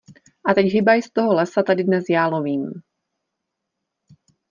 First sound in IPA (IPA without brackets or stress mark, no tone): ʔ